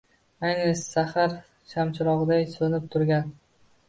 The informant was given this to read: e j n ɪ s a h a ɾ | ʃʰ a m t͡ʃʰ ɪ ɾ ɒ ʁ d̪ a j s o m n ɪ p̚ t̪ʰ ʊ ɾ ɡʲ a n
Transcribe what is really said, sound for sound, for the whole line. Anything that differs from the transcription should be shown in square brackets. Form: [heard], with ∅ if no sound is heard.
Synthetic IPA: [a] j n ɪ s a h a ɾ | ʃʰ a m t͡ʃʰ ɪ ɾ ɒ ʁ d̪ a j s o [∅] n ɪ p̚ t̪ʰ ʊ ɾ ɡʲ a n

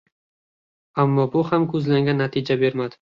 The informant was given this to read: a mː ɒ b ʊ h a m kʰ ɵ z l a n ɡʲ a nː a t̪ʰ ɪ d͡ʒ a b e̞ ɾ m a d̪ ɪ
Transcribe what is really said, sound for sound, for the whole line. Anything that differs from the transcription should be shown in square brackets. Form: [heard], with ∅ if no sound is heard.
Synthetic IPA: a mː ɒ b ʊ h a m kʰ ɵ z l a [ŋ] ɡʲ a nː a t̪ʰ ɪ d͡ʒ a b e̞ ɾ m a d̪ ɪ

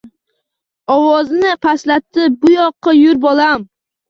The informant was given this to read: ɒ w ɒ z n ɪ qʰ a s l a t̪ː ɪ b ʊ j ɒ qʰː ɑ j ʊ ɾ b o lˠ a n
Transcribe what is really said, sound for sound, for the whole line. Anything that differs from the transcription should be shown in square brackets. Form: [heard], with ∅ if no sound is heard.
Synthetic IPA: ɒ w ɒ z n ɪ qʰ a s l a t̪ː ɪ b ʊ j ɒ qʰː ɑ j ʊ ɾ b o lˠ a [m]

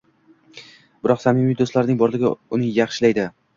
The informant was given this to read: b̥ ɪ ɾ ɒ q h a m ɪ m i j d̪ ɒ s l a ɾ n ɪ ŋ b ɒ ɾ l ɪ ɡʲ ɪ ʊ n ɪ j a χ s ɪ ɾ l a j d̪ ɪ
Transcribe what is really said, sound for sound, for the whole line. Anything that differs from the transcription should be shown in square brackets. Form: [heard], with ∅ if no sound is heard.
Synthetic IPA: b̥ ɪ ɾ ɒ q [s] a m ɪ m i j d̪ [o] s l a ɾ n ɪ ŋ b ɒ ɾ l ɪ ɡʲ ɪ ʊ n ɪ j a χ [ʃ] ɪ [∅] l a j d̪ ɪ

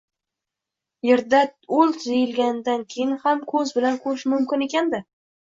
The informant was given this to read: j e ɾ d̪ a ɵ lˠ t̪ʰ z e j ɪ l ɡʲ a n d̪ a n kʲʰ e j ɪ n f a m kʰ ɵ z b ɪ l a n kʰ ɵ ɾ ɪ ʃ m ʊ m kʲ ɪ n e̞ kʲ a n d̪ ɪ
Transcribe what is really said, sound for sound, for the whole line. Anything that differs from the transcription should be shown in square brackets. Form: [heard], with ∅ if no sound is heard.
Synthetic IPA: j e ɾ d̪ a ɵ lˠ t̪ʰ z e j ɪ l ɡʲ a n d̪ a n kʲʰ e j ɪ n [h] a m kʰ ɵ z b ɪ l a n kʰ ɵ ɾ ɪ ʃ m ʊ m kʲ ɪ n e̞ kʲ a n d̪ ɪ

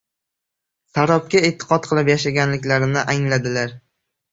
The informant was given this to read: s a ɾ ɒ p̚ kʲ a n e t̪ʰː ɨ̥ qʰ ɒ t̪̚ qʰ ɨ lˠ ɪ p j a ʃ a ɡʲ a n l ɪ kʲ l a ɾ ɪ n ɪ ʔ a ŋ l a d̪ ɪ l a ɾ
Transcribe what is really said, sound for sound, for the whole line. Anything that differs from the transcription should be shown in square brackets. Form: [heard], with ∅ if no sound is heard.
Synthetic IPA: s a ɾ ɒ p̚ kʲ a [∅] e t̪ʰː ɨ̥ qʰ ɒ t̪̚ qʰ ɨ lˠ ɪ p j a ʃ a ɡʲ a n l ɪ kʲ l a ɾ ɪ n ɪ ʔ a ŋ l a d̪ ɪ l a ɾ

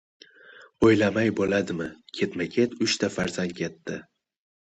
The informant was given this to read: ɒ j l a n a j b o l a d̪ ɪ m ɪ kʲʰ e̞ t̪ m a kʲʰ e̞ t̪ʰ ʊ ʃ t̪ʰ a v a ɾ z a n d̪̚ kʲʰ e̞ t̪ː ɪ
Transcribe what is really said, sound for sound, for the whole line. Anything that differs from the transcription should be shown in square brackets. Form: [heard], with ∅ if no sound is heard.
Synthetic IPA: [o] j l a [m] a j b o l a d̪ ɪ m ɪ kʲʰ e̞ t̪ m a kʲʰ e̞ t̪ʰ ʊ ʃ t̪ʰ a [f] a ɾ z a n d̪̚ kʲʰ e̞ t̪ː ɪ

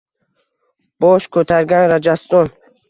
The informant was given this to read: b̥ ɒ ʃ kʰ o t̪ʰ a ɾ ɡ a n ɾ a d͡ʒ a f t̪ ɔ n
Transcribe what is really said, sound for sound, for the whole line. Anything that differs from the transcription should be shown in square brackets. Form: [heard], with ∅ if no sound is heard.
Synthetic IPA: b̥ [ɔ] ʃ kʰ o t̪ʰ a ɾ ɡ a n ɾ a d͡ʒ a [s] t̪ ɔ n

